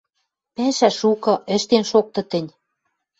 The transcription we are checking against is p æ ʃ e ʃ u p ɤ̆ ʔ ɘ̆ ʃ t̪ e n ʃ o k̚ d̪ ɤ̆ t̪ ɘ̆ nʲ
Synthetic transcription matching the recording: p æ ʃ æ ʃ u k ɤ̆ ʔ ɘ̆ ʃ t̪ e n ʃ o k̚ t̪ ɤ̆ t̪ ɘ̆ nʲ